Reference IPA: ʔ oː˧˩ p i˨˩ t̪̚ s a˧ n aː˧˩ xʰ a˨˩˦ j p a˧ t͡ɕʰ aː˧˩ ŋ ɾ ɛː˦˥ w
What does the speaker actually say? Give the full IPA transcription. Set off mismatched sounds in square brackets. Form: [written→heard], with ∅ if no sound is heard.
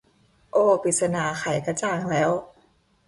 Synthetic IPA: ʔ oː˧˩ p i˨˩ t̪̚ s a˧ n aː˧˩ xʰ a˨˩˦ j [p→k] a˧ [t͡ɕʰ→t͡ɕ] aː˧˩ ŋ [ɾ→l] ɛː˦˥ w